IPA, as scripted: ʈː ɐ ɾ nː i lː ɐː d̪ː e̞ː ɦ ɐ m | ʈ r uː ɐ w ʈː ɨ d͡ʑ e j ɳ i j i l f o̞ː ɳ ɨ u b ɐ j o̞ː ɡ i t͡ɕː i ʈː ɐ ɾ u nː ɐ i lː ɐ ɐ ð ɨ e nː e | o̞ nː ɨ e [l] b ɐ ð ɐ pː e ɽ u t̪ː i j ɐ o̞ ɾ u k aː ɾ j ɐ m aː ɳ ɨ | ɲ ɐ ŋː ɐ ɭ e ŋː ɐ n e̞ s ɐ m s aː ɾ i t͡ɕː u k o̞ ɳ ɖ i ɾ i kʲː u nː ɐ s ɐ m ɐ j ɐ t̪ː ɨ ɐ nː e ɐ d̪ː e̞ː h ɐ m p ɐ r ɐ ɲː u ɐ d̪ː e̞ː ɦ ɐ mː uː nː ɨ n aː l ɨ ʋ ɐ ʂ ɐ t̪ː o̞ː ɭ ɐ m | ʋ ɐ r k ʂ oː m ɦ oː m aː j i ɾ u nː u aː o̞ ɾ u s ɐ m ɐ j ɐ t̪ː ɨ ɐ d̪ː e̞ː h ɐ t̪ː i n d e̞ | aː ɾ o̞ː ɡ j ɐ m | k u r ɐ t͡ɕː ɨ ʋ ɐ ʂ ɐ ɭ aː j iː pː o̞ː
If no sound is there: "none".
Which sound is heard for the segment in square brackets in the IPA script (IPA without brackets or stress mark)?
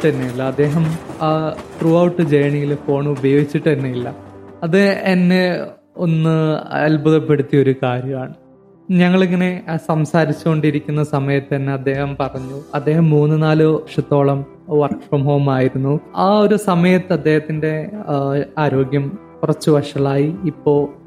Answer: l